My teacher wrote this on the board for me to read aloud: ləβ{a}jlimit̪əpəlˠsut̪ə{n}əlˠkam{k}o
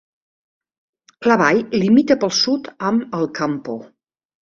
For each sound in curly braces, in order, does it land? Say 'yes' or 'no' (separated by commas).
yes, no, no